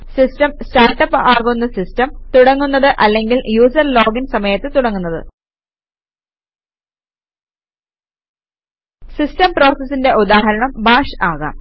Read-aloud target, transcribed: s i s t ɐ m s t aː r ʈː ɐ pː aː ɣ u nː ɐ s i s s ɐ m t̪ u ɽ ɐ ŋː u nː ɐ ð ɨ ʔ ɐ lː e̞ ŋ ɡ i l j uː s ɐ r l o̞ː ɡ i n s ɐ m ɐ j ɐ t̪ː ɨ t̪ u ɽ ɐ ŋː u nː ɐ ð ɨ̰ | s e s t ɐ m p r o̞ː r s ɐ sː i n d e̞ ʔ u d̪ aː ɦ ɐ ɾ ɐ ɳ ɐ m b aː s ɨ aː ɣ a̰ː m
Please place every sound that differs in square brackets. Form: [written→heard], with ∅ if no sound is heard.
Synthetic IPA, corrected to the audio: s i s t ɐ m s t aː r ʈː ɐ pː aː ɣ u nː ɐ s i s [s→t] ɐ m t̪ u ɽ ɐ ŋː u nː ɐ ð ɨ ʔ ɐ lː e̞ ŋ ɡ i l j uː s ɐ r l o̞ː ɡ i n s ɐ m ɐ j ɐ t̪ː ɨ t̪ u ɽ ɐ ŋː u nː ɐ ð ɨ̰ | s [e→i] s t ɐ m p r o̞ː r s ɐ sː i n d e̞ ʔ u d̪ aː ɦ ɐ ɾ ɐ ɳ ɐ m b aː [s→ʂ] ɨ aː ɣ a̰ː m